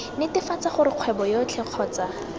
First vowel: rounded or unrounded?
unrounded